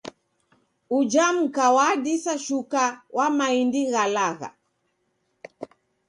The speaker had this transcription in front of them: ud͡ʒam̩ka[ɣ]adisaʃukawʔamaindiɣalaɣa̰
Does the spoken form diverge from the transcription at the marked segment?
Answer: yes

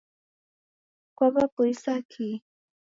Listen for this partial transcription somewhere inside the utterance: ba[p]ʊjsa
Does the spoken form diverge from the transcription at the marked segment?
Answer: no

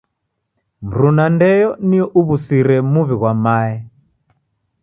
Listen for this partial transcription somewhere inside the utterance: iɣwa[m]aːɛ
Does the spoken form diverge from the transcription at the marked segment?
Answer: no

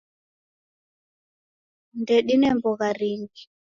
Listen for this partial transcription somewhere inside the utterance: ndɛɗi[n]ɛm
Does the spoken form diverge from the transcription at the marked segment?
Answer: no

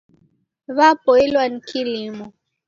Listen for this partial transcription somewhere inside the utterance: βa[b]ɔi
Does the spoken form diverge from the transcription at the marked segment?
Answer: yes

